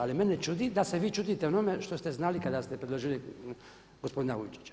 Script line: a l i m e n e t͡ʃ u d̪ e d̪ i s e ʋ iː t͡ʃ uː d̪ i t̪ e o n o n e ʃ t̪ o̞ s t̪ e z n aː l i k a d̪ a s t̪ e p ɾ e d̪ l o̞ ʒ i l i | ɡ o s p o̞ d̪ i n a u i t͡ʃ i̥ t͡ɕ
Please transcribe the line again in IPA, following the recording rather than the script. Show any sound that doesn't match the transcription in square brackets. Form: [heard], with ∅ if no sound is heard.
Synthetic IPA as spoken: a l i m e n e t͡ʃ u d̪ [i] d̪ [a] s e ʋ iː t͡ʃ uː d̪ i t̪ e o n o [m] e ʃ t̪ o̞ s t̪ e z n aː l i k a d̪ a s t̪ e p ɾ e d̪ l o̞ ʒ i l i | ɡ o s p o̞ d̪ i n a u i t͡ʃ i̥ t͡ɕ